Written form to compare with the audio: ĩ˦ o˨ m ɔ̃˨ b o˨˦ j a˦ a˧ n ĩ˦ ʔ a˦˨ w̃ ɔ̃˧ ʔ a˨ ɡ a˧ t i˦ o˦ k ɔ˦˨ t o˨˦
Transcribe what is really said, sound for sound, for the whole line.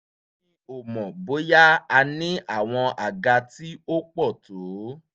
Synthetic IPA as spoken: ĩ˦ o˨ m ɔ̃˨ b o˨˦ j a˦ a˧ n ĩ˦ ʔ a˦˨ w̃ ɔ̃˧ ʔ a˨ ɡ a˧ t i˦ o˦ k͡p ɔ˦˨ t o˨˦